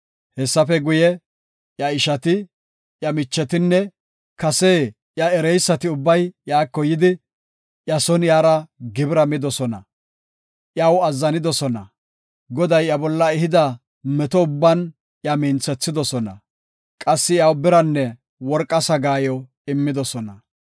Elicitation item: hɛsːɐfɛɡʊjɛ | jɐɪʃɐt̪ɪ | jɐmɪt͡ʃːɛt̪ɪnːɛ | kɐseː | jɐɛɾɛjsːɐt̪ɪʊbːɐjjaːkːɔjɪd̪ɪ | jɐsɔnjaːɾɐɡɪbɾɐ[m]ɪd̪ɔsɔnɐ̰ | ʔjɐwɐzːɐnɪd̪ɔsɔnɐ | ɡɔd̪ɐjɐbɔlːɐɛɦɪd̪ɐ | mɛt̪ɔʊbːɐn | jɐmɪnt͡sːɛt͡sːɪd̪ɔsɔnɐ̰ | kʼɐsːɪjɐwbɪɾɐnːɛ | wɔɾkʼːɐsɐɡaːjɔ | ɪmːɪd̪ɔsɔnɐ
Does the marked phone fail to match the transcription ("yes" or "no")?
no